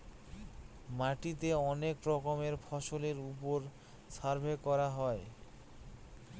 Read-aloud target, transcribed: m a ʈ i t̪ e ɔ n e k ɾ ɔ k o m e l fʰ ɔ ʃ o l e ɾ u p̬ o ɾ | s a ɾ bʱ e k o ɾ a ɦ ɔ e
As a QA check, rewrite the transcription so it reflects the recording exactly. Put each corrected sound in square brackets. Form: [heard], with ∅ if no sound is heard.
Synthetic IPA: m a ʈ i t̪ e ɔ n e k ɾ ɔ k o m e [ɾ] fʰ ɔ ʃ o l e ɾ u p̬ o ɾ | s a ɾ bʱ e k [ɔ] ɾ a ɦ ɔ e